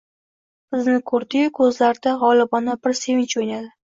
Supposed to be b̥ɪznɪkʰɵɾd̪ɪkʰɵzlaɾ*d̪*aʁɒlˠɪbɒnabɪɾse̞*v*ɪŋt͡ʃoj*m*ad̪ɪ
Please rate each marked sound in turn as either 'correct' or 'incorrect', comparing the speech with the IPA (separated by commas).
correct, correct, incorrect